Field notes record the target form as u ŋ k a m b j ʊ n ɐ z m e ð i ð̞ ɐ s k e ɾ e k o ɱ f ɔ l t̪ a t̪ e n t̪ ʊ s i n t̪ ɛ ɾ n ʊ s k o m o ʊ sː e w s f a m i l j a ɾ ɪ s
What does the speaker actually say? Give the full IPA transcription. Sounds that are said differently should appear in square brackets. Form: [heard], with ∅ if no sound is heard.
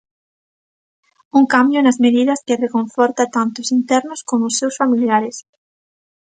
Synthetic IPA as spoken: u ŋ k a m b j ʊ n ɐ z m e ð i ð̞ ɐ s k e [r] e k o ɱ f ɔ [ɾ] t̪ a t̪ [a] n t̪ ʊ s i n t̪ ɛ ɾ n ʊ s k o m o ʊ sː e w s f a m i l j a ɾ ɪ s